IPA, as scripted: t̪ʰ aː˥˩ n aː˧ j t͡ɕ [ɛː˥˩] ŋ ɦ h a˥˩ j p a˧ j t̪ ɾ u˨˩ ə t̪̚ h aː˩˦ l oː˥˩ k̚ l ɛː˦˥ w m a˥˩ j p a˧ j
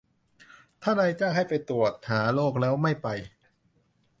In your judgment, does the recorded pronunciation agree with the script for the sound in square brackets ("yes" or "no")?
no